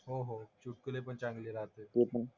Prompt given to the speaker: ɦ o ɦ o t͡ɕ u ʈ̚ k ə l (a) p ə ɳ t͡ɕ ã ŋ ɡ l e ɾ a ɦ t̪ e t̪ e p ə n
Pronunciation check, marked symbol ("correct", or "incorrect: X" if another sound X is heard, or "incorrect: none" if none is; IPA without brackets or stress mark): incorrect: e